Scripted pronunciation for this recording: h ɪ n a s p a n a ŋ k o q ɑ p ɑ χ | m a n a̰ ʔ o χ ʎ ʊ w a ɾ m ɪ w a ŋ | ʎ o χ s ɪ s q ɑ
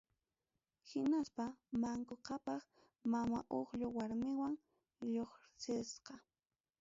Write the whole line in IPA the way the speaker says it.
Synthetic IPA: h ɪ n a s p a m a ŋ k o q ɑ p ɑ χ | m a m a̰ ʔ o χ ʎ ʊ w a ɾ m ɪ w a ŋ | ʎ o χ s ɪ s q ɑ